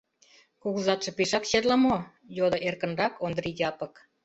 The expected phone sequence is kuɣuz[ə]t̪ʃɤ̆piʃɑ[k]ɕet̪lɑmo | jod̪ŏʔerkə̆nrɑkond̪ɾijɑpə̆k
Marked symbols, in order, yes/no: no, yes

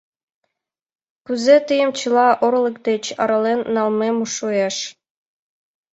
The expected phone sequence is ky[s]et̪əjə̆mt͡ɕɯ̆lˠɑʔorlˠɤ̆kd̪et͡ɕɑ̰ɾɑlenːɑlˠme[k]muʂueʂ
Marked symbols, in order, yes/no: no, no

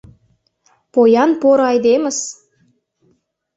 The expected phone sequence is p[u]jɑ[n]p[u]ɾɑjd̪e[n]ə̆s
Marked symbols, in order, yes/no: no, yes, no, no

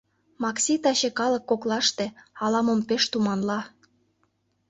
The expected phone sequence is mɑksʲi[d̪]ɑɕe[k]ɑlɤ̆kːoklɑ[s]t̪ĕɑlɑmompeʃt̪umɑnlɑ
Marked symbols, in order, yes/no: no, yes, no

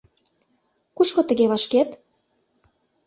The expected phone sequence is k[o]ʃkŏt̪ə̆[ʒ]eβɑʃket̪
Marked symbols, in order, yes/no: no, no

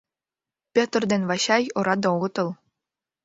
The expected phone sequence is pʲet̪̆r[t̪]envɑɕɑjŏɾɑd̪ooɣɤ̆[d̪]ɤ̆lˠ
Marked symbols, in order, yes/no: no, no

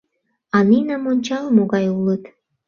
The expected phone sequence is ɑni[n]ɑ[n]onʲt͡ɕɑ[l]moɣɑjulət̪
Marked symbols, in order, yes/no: yes, no, yes

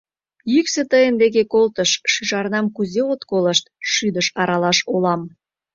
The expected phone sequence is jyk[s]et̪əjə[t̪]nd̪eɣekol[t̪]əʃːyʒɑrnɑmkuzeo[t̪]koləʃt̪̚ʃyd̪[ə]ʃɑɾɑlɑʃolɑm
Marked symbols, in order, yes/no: yes, no, yes, yes, yes

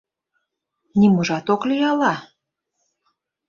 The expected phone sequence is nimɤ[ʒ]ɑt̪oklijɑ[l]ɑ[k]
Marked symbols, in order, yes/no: yes, yes, no

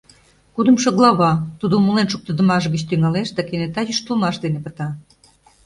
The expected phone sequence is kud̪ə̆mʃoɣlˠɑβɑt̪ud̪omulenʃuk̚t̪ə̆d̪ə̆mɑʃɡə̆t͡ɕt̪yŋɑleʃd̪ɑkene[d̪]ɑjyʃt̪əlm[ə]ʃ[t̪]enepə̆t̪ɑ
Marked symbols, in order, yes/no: no, no, no

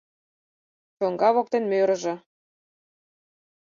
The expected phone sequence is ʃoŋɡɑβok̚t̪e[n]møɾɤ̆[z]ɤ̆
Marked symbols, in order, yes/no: yes, no

